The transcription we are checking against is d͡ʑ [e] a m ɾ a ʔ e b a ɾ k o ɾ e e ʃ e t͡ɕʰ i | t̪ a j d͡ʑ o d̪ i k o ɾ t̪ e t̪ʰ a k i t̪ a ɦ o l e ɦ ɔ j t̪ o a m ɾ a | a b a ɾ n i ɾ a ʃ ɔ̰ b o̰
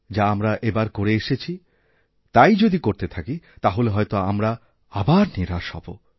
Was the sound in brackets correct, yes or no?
no